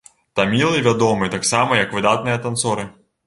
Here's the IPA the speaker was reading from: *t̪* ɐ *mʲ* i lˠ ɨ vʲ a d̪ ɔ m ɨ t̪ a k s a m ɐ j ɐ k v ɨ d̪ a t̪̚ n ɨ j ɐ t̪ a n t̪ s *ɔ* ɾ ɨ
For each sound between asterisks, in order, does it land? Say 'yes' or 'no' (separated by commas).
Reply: yes, yes, yes